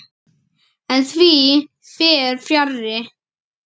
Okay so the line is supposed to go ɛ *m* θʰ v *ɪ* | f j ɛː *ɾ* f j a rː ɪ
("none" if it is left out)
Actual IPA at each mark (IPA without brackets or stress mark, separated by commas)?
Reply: n, i, ɾ